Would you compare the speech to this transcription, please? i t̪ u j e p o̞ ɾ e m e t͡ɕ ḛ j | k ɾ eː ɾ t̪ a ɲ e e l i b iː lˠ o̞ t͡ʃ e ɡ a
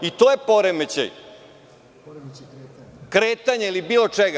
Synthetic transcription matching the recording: i t̪ o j e p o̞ ɾ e m e t͡ɕ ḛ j | k ɾ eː t̪ a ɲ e i l i b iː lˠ o̞ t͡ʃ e ɡ a